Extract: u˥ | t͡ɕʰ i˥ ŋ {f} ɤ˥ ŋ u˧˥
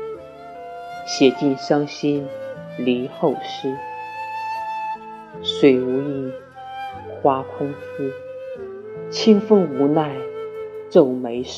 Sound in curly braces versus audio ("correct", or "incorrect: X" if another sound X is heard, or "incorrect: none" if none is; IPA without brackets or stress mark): correct